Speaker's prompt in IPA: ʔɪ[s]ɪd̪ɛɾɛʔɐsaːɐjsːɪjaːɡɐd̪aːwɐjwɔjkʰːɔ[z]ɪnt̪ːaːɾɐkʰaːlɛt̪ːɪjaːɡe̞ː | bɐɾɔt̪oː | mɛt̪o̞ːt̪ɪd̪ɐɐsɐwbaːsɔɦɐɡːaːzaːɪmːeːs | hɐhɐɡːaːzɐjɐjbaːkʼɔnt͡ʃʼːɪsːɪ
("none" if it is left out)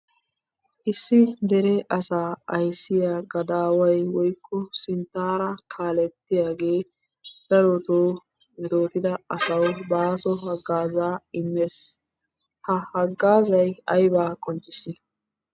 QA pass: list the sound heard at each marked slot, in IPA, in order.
sː, s

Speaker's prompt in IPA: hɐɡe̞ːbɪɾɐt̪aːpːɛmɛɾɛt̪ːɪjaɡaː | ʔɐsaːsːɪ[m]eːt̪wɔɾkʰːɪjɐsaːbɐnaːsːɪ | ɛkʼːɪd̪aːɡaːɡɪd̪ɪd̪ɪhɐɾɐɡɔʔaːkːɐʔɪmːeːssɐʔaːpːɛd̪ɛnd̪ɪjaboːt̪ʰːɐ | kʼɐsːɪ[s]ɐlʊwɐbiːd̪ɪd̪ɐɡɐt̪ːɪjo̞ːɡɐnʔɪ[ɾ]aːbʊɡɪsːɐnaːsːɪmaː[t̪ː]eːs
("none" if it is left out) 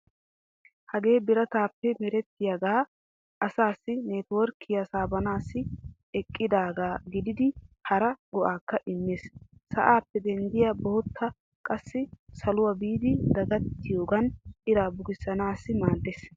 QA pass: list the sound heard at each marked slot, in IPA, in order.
n, s, ɾ, d̪ː

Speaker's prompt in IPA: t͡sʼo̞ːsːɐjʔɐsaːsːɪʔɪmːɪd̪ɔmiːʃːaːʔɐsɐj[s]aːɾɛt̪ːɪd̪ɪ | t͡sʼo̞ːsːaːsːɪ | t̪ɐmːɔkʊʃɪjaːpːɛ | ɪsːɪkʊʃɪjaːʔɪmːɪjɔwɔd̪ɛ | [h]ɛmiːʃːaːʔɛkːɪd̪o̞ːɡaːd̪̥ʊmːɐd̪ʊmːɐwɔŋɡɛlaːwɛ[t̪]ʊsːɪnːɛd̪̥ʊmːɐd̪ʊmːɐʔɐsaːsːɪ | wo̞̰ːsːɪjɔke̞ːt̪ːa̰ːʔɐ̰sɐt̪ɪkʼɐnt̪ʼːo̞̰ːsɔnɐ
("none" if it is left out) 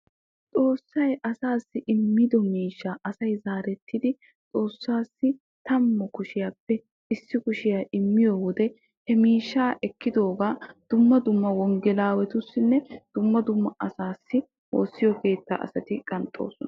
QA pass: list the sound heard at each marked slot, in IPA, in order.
z, h, t̪

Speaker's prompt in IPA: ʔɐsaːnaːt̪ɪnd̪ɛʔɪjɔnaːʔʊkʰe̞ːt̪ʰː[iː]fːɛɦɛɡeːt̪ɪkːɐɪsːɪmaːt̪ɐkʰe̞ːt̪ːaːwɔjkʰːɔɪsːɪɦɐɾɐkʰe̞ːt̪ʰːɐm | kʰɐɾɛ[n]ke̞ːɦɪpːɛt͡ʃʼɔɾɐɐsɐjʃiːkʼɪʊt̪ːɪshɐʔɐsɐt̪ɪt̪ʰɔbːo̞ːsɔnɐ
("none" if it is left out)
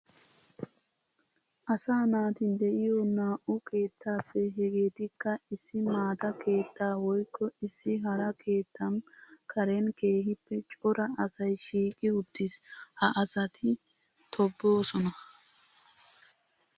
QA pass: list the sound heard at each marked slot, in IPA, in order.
aː, n

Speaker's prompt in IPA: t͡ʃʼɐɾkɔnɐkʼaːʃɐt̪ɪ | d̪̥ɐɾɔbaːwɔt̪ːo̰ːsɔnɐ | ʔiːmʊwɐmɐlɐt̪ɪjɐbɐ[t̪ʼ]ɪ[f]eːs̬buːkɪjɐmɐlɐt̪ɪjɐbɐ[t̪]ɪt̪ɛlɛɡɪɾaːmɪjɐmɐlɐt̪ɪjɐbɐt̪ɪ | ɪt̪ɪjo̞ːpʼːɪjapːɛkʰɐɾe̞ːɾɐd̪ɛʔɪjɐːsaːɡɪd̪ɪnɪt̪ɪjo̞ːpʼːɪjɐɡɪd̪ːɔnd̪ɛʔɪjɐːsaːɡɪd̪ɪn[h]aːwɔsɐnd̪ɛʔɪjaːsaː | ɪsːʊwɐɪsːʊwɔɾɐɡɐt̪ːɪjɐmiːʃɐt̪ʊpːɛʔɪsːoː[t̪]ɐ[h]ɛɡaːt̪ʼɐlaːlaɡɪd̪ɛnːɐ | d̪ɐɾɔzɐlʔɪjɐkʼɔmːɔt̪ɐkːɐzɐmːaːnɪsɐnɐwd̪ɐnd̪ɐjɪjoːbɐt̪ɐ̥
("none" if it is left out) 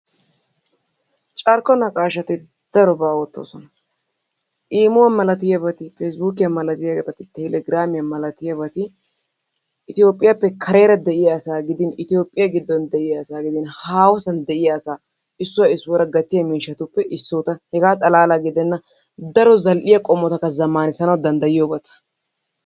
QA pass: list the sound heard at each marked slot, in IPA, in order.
t̪, f, t̪, h, t̪, h

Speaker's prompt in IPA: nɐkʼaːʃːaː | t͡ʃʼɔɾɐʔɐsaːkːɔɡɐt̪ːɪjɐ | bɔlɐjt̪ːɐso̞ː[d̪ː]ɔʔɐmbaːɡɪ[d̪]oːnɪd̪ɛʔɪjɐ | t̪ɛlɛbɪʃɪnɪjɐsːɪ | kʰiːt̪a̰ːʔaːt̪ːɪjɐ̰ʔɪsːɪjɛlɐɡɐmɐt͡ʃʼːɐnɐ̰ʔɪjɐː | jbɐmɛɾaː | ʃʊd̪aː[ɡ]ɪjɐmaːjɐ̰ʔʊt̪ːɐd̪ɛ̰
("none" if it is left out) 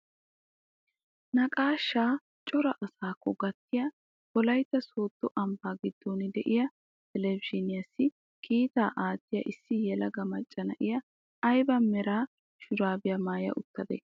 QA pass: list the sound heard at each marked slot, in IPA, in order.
t̪ː, d̪ː, b

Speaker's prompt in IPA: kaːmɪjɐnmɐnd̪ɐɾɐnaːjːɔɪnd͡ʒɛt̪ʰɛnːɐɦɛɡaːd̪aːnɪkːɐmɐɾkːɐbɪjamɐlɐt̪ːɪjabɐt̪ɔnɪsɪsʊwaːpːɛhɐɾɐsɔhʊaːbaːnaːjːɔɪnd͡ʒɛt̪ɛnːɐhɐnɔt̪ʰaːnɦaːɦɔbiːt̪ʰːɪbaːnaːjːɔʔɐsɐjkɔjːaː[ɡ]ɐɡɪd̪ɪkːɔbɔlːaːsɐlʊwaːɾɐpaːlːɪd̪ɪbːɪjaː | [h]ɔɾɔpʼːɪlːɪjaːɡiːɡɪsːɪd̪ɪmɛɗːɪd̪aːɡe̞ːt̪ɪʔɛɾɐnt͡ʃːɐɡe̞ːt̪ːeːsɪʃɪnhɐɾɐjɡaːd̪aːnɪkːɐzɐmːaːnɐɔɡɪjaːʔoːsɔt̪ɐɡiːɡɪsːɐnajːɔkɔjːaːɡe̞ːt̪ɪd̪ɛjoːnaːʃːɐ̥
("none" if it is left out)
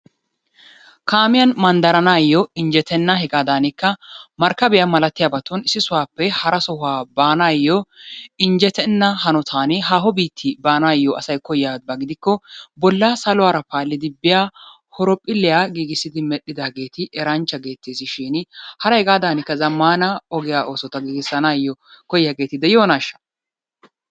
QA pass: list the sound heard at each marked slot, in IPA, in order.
b, h

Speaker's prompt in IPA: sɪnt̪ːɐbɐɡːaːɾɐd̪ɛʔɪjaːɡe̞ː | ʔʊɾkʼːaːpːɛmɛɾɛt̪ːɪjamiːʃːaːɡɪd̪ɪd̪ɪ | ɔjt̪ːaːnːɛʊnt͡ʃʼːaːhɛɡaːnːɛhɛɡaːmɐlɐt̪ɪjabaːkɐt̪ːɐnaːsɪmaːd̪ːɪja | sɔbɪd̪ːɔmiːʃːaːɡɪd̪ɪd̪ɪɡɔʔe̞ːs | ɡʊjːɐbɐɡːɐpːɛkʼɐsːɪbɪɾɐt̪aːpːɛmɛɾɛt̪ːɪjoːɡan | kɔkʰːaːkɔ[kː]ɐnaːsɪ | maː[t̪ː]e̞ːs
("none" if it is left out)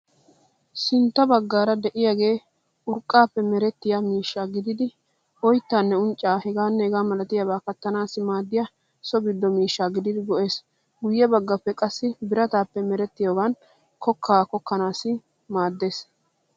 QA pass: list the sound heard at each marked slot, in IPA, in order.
kː, d̪ː

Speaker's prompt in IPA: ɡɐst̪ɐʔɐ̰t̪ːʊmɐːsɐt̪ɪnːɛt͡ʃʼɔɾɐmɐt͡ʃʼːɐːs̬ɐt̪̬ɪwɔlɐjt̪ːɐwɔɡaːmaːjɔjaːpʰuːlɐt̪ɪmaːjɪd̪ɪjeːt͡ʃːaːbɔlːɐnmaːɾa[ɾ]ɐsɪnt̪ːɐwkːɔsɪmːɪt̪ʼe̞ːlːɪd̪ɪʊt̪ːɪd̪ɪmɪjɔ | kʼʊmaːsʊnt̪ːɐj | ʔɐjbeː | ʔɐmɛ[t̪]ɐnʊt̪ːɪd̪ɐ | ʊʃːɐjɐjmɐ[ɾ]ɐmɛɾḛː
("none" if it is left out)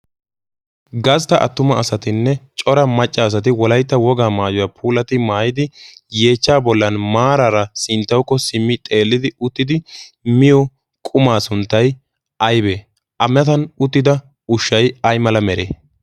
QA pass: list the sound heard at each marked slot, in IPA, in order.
ɾ, t̪, l

